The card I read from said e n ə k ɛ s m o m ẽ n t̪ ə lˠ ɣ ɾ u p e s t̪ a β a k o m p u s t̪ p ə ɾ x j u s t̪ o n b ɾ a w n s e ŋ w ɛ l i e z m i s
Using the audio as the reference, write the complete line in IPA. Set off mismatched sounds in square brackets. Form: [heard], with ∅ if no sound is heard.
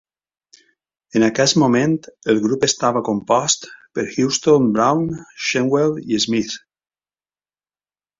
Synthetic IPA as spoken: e n [a] k ɛ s m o m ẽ n t̪ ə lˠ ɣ ɾ u p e s t̪ a β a k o m p [ɔ] s t̪ p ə ɾ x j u s t̪ o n b ɾ a w n [ʃ] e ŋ w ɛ l i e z m i [θ]